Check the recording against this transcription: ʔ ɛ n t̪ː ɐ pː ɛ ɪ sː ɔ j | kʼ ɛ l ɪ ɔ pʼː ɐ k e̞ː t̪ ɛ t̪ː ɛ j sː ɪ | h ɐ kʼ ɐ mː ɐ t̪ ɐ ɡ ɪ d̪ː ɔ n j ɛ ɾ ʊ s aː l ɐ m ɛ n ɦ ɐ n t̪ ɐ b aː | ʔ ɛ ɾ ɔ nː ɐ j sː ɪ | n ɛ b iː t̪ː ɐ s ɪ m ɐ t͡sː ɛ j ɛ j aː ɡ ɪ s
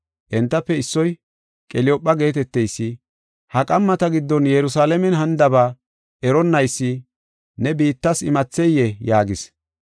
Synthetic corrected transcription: ʔ ɛ n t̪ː ɐ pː ɛ ɪ sː ɔ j | kʼ ɛ l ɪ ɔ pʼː ɐ ɡ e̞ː t̪ ɛ t̪ː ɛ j sː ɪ | h ɐ kʼ ɐ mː ɐ t̪ ɐ ɡ ɪ d̪ː ɔ n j ɛ ɾ ʊ s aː l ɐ m ɛ n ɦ ɐ n d̪ ɐ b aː | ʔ ɛ ɾ ɔ nː ɐ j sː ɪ | n ɛ b iː t̪ː ɐ s ɪ m ɐ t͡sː ɛ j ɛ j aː ɡ ɪ s